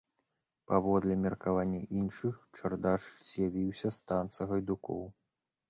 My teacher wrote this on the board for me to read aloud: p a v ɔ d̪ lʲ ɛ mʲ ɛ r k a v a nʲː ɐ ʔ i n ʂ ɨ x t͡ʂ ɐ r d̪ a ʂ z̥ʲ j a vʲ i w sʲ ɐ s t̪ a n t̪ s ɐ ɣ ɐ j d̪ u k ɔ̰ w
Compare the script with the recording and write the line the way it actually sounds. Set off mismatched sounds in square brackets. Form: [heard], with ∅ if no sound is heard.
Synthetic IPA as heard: p a v ɔ d̪ lʲ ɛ mʲ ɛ r k a v a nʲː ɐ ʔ i n ʂ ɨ x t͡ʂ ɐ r d̪ a ʂ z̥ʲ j a vʲ i w sʲ ɐ s t̪ a n t̪ s ɐ ɣ ɐ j d̪ u k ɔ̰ w